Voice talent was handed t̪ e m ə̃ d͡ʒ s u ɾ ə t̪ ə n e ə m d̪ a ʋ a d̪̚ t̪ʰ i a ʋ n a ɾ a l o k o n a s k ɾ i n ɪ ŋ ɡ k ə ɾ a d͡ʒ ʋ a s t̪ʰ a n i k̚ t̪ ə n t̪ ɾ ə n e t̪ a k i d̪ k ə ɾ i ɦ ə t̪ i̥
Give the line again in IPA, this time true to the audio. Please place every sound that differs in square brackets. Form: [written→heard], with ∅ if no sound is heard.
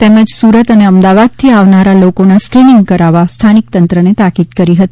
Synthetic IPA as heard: t̪ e m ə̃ d͡ʒ s u ɾ ə t̪ ə n e ə m d̪ a ʋ a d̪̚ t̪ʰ i a ʋ n a ɾ a l o k o n a s k ɾ i n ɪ ŋ ɡ k ə ɾ a [d͡ʒ→∅] ʋ a s t̪ʰ a n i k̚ t̪ ə n t̪ ɾ ə n e t̪ a k i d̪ k ə ɾ i ɦ ə t̪ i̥